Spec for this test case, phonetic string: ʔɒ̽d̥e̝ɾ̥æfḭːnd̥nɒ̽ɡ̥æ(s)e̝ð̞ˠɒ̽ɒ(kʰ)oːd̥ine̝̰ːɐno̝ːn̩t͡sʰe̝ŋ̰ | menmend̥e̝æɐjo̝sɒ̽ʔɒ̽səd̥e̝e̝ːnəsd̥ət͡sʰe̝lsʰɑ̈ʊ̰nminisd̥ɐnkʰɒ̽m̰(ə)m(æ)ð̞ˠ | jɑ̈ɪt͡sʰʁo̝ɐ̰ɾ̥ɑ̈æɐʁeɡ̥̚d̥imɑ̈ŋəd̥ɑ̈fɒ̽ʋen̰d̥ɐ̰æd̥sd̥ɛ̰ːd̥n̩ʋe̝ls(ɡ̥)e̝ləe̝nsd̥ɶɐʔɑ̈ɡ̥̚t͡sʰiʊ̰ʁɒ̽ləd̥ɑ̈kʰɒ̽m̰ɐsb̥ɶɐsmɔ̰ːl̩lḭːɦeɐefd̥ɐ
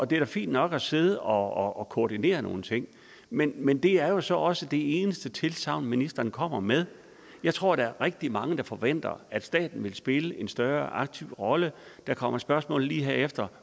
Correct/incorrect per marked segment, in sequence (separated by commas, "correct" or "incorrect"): correct, correct, incorrect, incorrect, incorrect